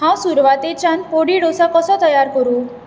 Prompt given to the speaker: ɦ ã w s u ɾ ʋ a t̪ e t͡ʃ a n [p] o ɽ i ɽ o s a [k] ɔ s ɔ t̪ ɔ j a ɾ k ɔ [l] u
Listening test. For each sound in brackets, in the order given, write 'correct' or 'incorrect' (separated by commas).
correct, correct, incorrect